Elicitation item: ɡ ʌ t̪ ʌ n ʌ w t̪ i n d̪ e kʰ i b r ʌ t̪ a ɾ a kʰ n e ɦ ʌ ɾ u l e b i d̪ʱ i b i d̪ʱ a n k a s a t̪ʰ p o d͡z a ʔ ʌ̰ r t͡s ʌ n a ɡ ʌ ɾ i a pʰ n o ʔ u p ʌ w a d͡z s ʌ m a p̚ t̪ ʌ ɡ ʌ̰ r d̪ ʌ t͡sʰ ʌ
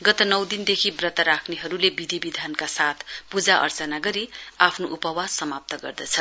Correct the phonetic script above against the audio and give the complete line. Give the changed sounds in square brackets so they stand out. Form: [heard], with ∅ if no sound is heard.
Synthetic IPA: ɡ ʌ t̪ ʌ n ʌ w [d̪] i n d̪ e kʰ i b r ʌ t̪ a ɾ a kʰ n e ɦ ʌ ɾ u l e b i d̪ʱ i b i d̪ʱ a n k a s a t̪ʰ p [u] d͡z a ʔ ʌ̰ r t͡s ʌ n a ɡ ʌ ɾ i a pʰ n o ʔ u p ʌ w a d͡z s ʌ m a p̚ t̪ ʌ ɡ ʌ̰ r d̪ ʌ t͡sʰ ʌ